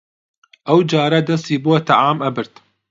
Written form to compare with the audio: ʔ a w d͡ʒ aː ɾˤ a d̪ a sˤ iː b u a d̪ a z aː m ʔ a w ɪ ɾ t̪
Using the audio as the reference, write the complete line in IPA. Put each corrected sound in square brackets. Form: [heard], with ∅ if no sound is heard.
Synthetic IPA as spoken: ʔ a w d͡ʒ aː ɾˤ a d̪ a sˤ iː b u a [t̪] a [ʕ] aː m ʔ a [b] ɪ ɾ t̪